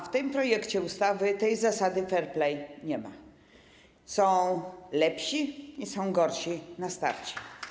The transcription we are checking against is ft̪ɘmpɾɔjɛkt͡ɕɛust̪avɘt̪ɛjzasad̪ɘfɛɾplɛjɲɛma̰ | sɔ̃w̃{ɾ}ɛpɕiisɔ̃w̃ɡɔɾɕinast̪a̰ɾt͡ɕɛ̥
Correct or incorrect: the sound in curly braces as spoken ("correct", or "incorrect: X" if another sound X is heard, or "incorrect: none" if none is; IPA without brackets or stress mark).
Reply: incorrect: l